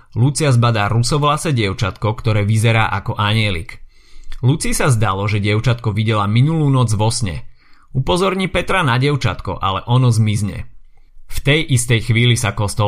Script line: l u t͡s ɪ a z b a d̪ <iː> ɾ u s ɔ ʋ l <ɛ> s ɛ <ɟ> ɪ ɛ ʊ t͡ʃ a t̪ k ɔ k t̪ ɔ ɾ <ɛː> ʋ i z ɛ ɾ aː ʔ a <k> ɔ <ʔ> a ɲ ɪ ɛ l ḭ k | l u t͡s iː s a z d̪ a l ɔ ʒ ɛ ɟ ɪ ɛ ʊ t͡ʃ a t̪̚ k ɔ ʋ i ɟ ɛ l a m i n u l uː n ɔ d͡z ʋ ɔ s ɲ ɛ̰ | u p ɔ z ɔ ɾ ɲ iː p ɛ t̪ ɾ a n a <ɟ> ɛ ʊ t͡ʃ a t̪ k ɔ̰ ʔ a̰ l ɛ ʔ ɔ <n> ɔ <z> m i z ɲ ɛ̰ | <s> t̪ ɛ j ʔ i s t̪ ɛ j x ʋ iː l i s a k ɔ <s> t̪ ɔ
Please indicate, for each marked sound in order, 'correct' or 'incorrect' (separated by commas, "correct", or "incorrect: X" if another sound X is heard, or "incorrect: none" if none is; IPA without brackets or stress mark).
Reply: incorrect: aː, incorrect: a, correct, correct, correct, correct, correct, correct, correct, incorrect: f, correct